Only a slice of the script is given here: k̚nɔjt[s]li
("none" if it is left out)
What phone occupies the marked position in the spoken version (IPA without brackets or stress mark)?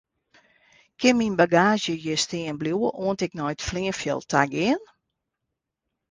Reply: f